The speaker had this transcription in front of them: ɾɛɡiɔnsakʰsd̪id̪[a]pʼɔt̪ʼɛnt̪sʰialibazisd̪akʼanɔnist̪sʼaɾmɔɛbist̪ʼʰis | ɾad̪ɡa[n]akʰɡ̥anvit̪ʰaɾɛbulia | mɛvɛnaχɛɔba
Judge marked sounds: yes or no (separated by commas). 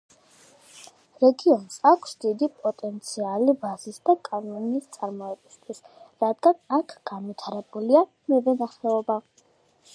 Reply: no, yes